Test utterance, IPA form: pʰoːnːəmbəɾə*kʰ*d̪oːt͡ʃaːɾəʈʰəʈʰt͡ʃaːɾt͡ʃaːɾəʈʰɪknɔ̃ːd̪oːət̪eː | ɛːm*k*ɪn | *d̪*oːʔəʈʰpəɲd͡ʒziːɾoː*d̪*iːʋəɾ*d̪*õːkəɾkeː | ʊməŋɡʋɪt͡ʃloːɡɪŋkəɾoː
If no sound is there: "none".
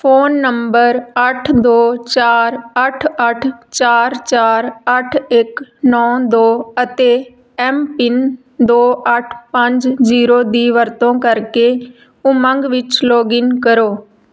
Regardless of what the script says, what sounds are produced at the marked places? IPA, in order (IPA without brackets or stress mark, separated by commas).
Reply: ʈʰ, p, d̪, d̪, t̪